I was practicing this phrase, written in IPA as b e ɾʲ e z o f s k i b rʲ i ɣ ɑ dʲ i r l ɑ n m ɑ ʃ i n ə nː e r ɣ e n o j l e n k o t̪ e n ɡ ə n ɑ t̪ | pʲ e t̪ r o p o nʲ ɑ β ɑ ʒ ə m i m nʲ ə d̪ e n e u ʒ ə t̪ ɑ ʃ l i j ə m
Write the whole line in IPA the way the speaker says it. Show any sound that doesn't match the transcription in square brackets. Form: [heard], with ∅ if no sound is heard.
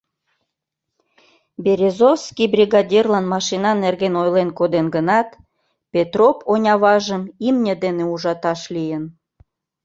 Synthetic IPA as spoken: b e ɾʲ e z o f s k i b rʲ i ɣ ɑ dʲ i r l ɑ n m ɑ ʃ i n [ɑ] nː e r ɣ e n o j l e n k o [d̪] e n ɡ ə n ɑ t̪ | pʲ e t̪ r o p o nʲ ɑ β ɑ ʒ ə m i m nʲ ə d̪ e n e u ʒ [ɑ] t̪ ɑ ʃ l i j ə [n]